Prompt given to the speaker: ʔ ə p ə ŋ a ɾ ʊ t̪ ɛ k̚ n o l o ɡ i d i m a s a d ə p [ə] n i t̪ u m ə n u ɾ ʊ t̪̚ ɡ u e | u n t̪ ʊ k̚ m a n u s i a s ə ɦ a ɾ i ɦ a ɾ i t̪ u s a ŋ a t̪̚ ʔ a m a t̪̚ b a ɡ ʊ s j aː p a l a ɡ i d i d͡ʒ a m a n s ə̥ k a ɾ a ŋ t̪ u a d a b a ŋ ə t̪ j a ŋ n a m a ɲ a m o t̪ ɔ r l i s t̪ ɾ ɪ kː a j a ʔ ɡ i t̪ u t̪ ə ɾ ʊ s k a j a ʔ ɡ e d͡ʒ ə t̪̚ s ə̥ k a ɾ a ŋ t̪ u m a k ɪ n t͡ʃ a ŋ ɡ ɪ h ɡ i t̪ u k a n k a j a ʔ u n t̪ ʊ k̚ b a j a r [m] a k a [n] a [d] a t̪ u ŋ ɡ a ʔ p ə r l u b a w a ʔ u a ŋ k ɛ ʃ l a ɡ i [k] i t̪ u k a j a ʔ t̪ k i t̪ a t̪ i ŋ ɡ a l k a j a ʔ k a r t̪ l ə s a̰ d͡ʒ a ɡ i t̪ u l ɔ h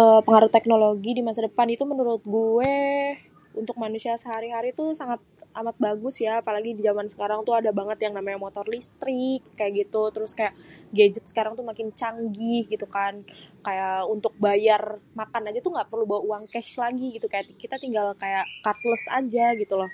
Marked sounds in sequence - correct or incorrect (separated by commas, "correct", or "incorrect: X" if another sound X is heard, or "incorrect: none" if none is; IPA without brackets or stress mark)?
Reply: incorrect: a, correct, correct, incorrect: d͡ʒ, incorrect: ɡ